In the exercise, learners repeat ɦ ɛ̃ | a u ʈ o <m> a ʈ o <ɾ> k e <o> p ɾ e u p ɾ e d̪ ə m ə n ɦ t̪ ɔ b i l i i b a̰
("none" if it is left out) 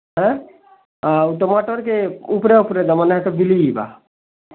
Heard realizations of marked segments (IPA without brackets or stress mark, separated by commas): m, ɾ, u